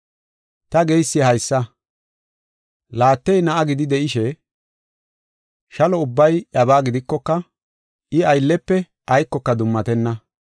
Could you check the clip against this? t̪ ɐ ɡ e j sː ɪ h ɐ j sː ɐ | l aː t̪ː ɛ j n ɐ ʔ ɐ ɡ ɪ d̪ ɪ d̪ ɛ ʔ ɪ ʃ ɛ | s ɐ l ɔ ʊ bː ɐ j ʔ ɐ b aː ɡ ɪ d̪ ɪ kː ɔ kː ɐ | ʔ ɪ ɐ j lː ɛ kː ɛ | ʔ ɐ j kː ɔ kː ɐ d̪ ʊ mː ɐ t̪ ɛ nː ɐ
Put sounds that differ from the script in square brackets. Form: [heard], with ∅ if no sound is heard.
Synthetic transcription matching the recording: t̪ ɐ ɡ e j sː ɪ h ɐ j sː ɐ | l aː t̪ː ɛ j n ɐ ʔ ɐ ɡ ɪ d̪ ɪ d̪ ɛ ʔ ɪ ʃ ɛ | [ʃ] ɐ l ɔ ʊ bː ɐ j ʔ ɐ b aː ɡ ɪ d̪ ɪ kː ɔ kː ɐ | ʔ ɪ ɐ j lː ɛ [pː] ɛ | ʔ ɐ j kː ɔ kː ɐ d̪ ʊ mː ɐ t̪ ɛ nː ɐ